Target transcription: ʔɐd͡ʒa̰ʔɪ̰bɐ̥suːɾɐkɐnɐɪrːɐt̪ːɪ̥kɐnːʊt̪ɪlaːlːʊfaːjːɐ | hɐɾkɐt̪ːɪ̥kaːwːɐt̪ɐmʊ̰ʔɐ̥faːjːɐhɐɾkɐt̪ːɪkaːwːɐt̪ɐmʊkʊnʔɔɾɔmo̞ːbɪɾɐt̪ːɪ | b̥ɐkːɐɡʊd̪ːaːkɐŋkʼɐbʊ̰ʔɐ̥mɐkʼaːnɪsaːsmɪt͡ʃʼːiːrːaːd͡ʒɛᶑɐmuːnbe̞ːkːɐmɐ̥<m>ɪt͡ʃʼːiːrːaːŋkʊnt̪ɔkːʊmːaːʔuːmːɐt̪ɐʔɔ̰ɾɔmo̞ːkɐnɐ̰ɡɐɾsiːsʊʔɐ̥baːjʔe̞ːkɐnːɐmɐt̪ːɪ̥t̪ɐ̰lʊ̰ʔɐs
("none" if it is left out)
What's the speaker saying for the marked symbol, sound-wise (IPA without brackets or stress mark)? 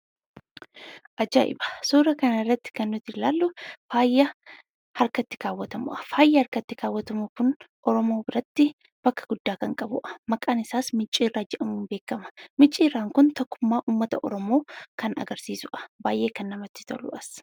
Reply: m